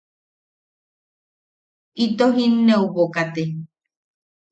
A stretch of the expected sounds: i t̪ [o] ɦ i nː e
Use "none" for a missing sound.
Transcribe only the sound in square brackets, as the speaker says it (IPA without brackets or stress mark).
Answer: o